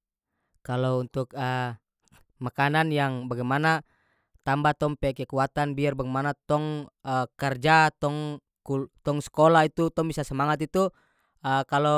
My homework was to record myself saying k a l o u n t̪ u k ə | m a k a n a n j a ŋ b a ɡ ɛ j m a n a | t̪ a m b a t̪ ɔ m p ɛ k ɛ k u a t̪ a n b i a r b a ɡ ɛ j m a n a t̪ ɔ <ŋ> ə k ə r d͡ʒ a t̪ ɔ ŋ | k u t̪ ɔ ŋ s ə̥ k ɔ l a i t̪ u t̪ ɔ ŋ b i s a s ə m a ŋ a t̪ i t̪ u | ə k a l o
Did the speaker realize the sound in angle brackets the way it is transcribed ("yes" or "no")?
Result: yes